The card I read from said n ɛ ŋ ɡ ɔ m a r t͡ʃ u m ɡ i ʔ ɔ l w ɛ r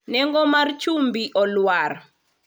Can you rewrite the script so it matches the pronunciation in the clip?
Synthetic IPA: n ɛ ŋ ɡ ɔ m a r t͡ʃ u m b i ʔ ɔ l w a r

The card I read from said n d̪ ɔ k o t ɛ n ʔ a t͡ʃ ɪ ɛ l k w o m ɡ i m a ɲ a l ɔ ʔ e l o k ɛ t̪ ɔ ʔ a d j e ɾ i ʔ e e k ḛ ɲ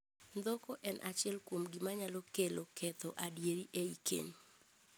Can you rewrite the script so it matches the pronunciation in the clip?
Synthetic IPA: n d̪ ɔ k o ʔ ɛ n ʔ a t͡ʃ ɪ ɛ l k w o m ɡ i m a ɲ a l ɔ k e l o k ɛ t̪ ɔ ʔ a d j e ɾ i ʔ e i k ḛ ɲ

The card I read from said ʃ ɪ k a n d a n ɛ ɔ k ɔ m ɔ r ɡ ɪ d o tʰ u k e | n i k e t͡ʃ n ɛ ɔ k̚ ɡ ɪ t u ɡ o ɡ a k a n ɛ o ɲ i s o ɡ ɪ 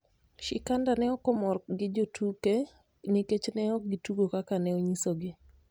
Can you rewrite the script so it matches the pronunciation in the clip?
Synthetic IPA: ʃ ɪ k a n d a n ɛ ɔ k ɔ m ɔ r ɡ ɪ d͡ʒ o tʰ u k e | n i k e t͡ʃ n ɛ ɔ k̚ ɡ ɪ t u ɡ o k a k a n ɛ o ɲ i s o ɡ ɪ

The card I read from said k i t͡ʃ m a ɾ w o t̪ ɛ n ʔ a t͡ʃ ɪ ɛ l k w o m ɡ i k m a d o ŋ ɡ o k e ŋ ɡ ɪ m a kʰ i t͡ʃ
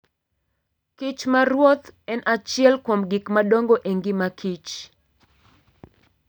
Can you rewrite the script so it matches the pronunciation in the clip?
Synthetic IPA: k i t͡ʃ m a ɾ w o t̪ ɛ n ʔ a t͡ʃ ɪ ɛ l k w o m ɡ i k m a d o ŋ ɡ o ʔ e ŋ ɡ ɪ m a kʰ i t͡ʃ

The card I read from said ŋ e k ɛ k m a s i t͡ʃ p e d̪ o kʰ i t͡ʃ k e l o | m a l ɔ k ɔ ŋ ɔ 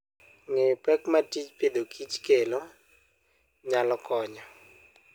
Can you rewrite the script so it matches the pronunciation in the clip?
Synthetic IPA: ŋ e p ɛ k m a t i t͡ʃ p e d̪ o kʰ i t͡ʃ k e l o | ɲ a l ɔ k ɔ ɲ ɔ

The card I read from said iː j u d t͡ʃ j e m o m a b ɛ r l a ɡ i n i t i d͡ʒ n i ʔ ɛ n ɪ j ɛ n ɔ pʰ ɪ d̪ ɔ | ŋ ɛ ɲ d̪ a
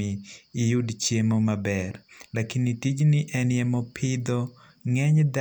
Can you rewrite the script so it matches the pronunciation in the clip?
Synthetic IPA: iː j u d t͡ʃ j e m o m a b ɛ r l a k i n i t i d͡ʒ n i ʔ ɛ n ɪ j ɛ m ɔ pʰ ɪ d̪ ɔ | ŋ ɛ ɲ d̪ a

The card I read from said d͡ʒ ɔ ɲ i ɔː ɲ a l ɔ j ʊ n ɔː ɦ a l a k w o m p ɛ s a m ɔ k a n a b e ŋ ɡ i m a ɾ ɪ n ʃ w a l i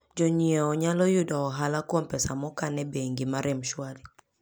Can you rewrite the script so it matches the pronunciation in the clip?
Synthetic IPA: d͡ʒ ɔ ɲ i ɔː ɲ a l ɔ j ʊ d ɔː ɦ a l a k w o m p ɛ s a m ɔ k a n ɛ b e ŋ ɡ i m a ɾ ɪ m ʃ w a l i

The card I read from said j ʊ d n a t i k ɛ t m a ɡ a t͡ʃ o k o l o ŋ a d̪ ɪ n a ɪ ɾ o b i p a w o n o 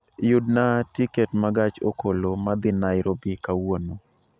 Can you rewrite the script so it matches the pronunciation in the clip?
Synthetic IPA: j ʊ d n a t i k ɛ t m a ɡ a t͡ʃ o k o l o m a d̪ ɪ n a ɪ ɾ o b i k a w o n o

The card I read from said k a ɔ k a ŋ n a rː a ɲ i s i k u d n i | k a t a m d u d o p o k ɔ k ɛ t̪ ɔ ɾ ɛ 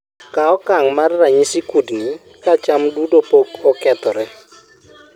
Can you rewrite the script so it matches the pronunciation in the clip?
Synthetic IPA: k a ɔ k a ŋ m a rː a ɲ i s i k u d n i | k a t͡ʃ a m d u d o p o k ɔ k ɛ t̪ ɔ ɾ ɛ

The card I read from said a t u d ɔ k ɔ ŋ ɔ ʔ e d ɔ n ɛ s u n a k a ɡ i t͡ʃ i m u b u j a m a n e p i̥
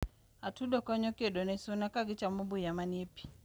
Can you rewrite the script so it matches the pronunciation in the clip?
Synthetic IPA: a t u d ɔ k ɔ ɲ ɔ k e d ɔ n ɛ s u n a k a ɡ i t͡ʃ a m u b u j a m a n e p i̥

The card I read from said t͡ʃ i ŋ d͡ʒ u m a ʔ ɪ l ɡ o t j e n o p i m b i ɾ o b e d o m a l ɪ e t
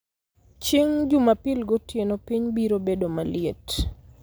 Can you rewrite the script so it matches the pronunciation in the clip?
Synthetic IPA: t͡ʃ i ŋ d͡ʒ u m a p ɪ l ɡ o t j e n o p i ɲ b i ɾ o b e d o m a l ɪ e t

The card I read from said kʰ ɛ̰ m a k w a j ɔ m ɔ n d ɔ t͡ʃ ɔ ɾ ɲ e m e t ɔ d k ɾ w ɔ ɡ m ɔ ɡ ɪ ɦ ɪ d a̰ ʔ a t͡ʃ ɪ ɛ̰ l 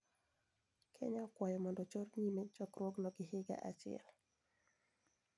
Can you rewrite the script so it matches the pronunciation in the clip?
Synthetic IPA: kʰ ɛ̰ ɲ a k w a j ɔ m ɔ n d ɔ t͡ʃ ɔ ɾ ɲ i m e t͡ʃ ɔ k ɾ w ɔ ɡ n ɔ ɡ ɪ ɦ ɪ ɡ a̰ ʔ a t͡ʃ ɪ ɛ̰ l

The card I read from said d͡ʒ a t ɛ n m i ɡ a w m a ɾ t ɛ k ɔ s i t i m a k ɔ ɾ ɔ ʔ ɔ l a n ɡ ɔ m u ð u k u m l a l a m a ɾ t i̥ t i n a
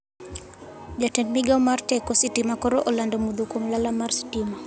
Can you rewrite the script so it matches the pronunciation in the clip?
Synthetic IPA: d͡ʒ a t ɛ n m i ɡ a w m a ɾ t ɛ k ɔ s i t i m a k ɔ ɾ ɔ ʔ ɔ l a n d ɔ m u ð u k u m l a l a m a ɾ s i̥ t i m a

